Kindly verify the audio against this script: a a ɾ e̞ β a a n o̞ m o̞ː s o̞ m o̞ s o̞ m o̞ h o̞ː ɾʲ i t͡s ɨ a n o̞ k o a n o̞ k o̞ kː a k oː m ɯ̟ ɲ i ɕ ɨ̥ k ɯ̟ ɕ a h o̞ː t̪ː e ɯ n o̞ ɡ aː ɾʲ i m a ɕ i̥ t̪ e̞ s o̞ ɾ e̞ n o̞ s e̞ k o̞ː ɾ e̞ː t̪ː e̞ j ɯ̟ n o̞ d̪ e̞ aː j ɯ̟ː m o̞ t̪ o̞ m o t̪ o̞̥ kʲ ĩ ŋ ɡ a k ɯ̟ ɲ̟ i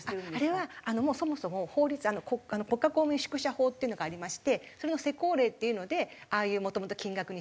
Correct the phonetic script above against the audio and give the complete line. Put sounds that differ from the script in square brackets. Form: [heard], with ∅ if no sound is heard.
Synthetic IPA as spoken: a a ɾ e̞ β a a n o̞ m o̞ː s o̞ m o̞ s o̞ m o̞ h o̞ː ɾʲ i t͡s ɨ a n o̞ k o a n o̞ k o̞ kː a k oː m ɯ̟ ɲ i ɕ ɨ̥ k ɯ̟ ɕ a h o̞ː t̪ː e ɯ n o̞ ɡ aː ɾʲ i m a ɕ i̥ t̪ e̞ s o̞ ɾ e̞ n o̞ s e̞ k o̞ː ɾ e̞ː t̪ː e̞ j ɯ̟ n o̞ d̪ e̞ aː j ɯ̟ː m o̞ t̪ o̞ m o t̪ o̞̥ kʲ ĩ ŋ ɡ a k ɯ̟ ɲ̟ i